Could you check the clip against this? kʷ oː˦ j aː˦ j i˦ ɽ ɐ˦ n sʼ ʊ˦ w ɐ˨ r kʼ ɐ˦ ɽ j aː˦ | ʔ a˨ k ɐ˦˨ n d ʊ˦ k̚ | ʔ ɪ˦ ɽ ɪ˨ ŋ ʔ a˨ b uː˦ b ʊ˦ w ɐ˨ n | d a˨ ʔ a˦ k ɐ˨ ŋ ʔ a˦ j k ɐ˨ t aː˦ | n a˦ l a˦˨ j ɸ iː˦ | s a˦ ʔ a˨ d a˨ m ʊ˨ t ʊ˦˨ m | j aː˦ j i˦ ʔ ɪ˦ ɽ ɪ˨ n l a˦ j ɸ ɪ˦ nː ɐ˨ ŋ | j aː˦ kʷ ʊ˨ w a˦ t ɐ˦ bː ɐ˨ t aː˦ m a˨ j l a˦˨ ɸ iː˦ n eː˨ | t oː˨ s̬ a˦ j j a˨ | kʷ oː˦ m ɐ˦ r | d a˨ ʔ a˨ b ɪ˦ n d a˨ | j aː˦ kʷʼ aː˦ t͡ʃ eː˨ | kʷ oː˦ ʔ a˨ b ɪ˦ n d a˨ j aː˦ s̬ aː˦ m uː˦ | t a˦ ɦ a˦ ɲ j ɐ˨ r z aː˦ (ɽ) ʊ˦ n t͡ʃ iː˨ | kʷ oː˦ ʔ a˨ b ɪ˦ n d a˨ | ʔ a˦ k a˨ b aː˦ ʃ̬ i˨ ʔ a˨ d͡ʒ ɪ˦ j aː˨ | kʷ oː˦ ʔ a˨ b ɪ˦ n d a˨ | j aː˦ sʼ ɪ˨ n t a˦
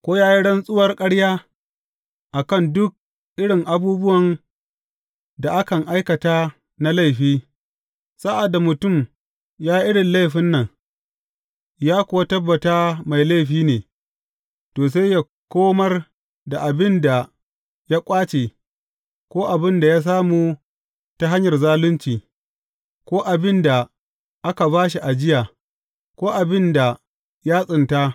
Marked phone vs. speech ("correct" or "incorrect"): incorrect